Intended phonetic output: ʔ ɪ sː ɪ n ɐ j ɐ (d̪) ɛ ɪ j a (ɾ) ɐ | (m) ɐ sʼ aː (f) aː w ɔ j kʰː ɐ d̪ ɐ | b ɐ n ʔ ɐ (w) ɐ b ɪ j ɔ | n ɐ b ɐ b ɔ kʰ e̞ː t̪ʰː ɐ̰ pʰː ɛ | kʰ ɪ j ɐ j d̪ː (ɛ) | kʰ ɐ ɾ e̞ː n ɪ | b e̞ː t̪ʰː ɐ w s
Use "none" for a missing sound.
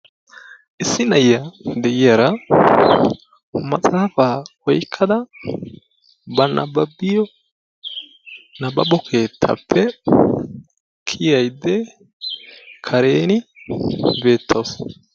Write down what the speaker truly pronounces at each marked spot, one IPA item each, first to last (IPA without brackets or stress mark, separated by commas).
d̪, ɾ, m, f, b, ɛ